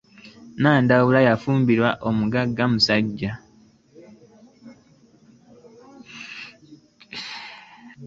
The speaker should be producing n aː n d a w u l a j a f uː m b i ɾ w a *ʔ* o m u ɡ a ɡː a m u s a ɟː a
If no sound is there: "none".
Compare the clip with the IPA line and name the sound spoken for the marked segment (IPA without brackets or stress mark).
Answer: ʔ